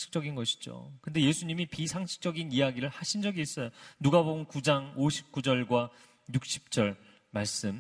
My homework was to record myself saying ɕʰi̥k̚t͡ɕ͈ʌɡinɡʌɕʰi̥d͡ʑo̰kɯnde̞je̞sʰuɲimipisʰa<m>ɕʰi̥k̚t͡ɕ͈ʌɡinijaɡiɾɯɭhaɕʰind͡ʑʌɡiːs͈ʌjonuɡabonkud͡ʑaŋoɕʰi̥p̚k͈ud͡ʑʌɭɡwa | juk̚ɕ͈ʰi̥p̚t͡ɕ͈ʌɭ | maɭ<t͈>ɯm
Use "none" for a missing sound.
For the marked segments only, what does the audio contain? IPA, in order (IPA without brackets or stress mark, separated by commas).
ŋ, s͈